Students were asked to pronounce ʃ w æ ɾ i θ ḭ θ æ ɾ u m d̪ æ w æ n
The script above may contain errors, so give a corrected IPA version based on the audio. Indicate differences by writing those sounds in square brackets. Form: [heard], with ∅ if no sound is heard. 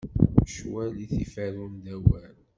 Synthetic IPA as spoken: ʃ w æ [l] i θ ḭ [f] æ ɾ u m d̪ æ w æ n